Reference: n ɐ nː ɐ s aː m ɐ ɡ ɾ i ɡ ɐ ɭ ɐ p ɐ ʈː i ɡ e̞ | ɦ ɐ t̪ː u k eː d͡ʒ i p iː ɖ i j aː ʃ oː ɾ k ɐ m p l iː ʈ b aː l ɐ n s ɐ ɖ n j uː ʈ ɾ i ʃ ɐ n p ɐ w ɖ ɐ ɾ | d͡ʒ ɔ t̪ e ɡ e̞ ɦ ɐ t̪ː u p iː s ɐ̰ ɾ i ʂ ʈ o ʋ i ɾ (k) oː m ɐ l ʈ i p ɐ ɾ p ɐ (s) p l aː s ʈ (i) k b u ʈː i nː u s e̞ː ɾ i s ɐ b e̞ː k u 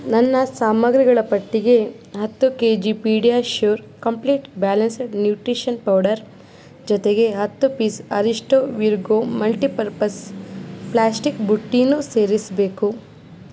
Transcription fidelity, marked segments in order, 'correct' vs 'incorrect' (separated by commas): incorrect, correct, correct